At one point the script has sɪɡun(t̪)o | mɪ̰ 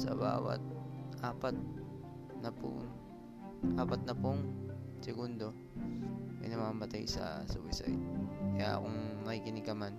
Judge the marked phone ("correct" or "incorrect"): incorrect